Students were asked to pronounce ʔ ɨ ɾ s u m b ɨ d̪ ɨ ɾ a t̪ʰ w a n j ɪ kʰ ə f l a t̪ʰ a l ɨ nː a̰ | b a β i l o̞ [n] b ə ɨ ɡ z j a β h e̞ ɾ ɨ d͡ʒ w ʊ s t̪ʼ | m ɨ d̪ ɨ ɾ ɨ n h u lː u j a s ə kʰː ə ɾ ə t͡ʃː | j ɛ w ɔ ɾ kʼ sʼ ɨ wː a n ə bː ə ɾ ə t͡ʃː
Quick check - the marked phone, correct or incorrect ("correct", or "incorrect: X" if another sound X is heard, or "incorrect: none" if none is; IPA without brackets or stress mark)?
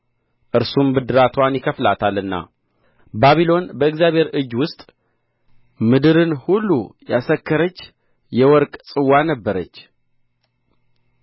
correct